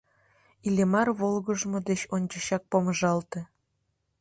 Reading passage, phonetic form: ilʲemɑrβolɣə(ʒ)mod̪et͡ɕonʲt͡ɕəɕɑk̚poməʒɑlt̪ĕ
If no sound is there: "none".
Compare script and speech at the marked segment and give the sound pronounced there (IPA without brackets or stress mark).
ʒ